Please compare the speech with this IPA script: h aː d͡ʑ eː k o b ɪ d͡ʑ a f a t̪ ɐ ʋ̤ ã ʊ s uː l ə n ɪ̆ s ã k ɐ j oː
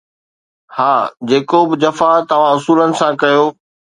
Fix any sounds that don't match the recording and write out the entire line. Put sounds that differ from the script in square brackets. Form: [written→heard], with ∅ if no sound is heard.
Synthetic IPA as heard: h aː d͡ʑ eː k o b ɪ d͡ʑ [a→ɐ] f a t̪ ɐ ʋ̤ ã ʊ s uː l ə n ɪ̆ s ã k ɐ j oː